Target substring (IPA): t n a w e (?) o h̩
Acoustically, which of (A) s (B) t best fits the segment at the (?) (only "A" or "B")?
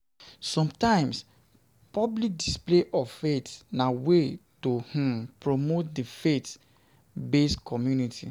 B